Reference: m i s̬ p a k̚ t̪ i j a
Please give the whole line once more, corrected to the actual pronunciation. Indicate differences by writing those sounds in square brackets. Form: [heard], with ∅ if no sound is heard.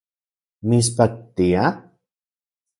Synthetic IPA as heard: m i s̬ p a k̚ t̪ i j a

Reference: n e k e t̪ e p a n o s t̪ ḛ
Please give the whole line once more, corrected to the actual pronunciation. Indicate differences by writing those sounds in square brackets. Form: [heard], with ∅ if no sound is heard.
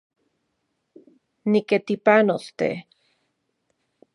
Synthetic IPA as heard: n [i] k e t̪ [i] p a n o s t̪ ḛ

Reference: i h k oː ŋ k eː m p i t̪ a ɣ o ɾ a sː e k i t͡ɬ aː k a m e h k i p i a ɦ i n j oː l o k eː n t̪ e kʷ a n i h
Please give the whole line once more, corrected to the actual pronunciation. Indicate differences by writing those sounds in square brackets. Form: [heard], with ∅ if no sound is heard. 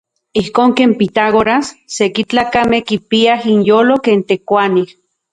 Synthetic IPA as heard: i h k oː ŋ k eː m p i t̪ a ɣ o ɾ a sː e k i t͡ɬ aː k a m e h k i p i a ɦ i n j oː l o k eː n t̪ e kʷ a n i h

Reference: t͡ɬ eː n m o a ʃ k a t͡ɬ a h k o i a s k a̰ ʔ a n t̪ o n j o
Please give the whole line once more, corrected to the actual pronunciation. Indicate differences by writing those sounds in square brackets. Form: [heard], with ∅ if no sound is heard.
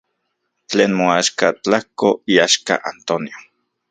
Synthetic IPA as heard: t͡ɬ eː n m o a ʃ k a t͡ɬ a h k o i a [ʃ] k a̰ ʔ a n t̪ o n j o

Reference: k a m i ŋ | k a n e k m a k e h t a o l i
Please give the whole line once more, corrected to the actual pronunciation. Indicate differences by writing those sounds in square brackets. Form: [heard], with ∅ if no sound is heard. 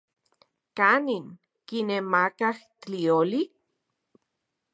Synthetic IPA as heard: k a [n] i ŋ | k [i] n e [∅] m a k [a] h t [i] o l i

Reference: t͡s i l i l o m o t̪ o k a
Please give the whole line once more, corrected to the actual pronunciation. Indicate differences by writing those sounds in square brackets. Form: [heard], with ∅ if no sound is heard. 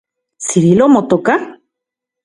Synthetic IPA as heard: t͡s i [ɾ] i l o m o t̪ o k a

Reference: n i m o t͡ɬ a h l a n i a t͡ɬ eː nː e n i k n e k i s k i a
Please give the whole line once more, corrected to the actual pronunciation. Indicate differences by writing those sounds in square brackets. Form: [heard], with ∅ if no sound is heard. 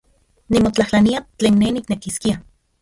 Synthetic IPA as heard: n i m o t͡ɬ a h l a n i a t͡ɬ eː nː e n i k n e k i s k i a

